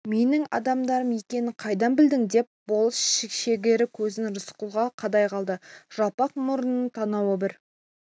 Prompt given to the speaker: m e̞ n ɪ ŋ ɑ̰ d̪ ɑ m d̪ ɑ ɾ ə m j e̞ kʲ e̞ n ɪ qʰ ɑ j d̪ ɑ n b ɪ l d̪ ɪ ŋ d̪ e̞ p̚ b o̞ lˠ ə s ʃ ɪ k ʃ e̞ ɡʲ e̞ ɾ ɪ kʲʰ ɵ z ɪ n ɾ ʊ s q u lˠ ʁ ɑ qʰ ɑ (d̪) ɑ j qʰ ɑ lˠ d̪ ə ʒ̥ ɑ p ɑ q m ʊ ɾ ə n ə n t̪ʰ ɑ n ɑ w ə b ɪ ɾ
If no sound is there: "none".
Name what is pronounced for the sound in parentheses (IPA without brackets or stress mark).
d̪